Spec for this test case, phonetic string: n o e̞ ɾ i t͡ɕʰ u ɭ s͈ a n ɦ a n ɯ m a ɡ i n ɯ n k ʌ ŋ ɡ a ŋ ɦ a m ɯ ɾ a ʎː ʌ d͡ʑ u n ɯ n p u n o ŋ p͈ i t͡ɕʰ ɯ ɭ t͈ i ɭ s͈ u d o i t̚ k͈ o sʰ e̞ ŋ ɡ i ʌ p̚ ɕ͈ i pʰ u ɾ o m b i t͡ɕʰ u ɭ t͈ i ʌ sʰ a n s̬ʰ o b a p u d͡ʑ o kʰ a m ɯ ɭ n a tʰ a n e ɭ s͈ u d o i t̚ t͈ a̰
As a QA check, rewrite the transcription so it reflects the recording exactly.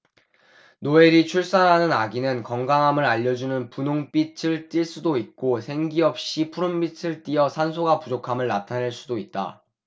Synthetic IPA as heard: n o e̞ ɾ i t͡ɕʰ u ɭ s͈ a n ɦ a n ɯ n a ɡ i n ɯ n k ʌ ŋ ɡ a ŋ ɦ a m ɯ ɾ a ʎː ʌ d͡ʑ u n ɯ n p u n o ŋ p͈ i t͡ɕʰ ɯ ɭ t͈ i ɭ s͈ u d o i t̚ k͈ o sʰ e̞ ŋ ɡ i ʌ p̚ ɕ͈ i pʰ u ɾ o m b i t͡ɕʰ ɯ ɭ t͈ i ʌ sʰ a n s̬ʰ o ɡ a p u d͡ʑ o kʰ a m ɯ ɭ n a tʰ a n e ɭ s͈ u d o i t̚ t͈ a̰